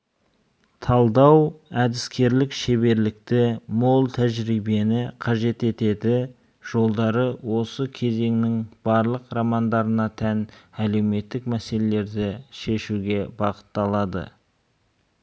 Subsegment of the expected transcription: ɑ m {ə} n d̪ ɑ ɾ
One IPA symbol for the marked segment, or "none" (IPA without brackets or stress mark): ɑ